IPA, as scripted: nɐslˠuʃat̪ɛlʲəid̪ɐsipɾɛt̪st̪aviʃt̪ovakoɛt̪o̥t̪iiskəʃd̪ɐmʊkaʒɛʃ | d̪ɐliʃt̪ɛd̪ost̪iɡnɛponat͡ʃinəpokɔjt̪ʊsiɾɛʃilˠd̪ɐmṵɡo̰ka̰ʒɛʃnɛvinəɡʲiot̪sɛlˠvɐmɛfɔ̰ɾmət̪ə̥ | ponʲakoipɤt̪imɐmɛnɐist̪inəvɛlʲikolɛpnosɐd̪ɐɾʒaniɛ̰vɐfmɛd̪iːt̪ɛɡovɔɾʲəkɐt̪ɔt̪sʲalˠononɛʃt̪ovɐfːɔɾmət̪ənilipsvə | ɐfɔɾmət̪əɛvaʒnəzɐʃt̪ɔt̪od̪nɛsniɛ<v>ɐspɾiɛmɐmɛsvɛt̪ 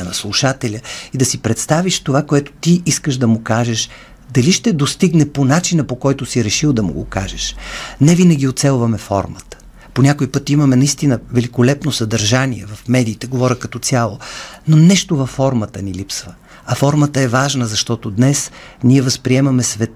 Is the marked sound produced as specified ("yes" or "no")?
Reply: yes